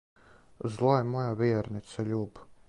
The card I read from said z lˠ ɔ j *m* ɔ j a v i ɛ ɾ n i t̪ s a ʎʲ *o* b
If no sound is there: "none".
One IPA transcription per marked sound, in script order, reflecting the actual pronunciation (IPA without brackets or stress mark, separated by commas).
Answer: m, u